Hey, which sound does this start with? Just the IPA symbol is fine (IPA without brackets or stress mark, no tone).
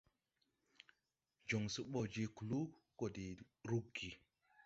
d͡ʒ